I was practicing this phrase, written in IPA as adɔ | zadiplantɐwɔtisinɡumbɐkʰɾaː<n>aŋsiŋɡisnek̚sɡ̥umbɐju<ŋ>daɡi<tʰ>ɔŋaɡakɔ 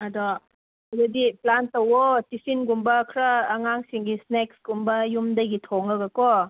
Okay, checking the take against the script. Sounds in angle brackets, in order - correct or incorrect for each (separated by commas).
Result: incorrect, incorrect, correct